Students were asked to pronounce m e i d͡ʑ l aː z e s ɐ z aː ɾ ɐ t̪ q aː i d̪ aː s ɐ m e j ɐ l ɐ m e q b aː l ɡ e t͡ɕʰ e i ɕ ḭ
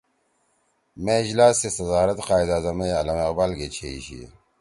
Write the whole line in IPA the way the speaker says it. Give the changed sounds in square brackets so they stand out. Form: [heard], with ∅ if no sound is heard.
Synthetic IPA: m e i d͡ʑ l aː [s] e s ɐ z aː ɾ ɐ t̪ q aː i d̪ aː [z] ɐ m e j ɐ l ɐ m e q b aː l ɡ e t͡ɕʰ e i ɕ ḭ